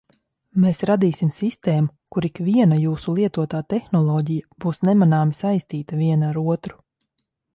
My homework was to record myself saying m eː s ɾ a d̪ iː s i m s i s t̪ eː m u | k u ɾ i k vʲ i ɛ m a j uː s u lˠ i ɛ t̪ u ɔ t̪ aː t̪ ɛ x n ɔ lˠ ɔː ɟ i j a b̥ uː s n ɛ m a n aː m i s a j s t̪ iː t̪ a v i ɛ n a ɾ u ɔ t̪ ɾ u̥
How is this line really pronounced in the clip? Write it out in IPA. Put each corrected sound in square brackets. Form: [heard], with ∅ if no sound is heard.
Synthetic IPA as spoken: m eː s ɾ a d̪ iː s i m s i s t̪ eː m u | k u ɾ i k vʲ i ɛ [n] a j uː s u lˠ i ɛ t̪ u ɔ t̪ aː t̪ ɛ x n ɔ lˠ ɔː ɟ i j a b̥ uː s n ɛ m a n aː m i s a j s t̪ iː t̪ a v i ɛ n a ɾ u ɔ t̪ ɾ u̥